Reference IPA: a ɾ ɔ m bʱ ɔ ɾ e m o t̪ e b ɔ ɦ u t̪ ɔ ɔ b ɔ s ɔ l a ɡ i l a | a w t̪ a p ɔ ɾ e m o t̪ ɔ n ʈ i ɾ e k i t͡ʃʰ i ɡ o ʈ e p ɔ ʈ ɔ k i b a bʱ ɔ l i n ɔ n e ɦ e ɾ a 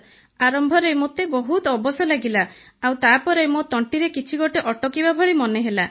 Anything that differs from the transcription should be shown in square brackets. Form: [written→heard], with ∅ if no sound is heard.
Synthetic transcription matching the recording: a ɾ ɔ m bʱ ɔ ɾ e m o t̪ e b ɔ ɦ u t̪ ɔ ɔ b ɔ s ɔ l a ɡ i l a | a w t̪ a p ɔ ɾ e m o t̪ ɔ [n→ɳ] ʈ i ɾ e k i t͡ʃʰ i ɡ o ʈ e [p→ʔ] ɔ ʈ ɔ k i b a bʱ ɔ [l→ɭ] i [n→m] ɔ n e ɦ e [ɾ→l] a